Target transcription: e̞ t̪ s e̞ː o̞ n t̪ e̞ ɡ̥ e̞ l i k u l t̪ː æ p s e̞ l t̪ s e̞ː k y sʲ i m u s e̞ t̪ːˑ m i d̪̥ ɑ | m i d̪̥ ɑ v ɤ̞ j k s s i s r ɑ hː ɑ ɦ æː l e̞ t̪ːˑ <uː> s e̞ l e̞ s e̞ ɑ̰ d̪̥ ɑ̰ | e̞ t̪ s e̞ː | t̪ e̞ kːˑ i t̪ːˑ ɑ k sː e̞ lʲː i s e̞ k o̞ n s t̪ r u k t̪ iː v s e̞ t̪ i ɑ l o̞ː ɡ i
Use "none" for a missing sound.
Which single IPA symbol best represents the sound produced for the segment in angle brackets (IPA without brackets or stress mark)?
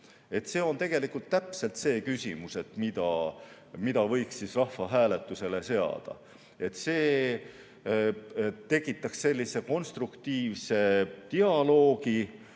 u